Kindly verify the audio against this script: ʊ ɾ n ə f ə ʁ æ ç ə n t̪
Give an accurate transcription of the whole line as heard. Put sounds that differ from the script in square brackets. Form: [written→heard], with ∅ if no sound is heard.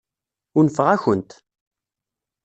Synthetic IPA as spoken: ʊ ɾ n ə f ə ʁ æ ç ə n t̪

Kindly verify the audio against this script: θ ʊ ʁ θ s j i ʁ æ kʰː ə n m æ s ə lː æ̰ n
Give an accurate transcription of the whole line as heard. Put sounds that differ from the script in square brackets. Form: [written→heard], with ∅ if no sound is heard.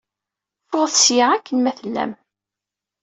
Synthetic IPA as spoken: [θ→f] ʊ ʁ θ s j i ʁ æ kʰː ə n m æ [s→θ] ə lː æ̰ [n→m]

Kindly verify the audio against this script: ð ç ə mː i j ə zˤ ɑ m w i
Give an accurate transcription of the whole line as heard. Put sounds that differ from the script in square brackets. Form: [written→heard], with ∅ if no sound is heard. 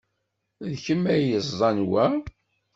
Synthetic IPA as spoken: ð ç ə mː [i→æ] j ə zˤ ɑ [m→n] w [i→æ]

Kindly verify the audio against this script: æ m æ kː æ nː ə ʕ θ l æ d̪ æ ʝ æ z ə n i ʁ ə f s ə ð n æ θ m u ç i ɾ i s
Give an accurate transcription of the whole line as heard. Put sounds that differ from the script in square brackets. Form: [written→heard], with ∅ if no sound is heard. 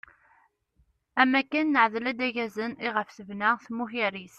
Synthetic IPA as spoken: æ m æ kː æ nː ə ʕ [θ→ð] l æ d̪ æ ʝ æ z ə n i ʁ ə f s ə [ð→v] n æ θ m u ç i ɾ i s

